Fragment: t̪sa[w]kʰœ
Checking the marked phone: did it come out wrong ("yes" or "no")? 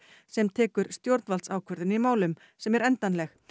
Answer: no